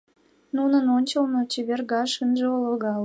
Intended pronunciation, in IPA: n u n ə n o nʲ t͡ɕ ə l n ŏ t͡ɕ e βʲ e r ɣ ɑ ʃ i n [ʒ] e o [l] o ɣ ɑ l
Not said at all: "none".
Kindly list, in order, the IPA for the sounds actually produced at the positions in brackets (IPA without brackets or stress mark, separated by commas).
ʒ, l